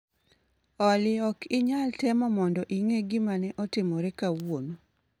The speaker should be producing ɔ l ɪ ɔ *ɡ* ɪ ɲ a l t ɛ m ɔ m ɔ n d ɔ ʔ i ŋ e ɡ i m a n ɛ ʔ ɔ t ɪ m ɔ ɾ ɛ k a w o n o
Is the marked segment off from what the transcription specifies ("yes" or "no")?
yes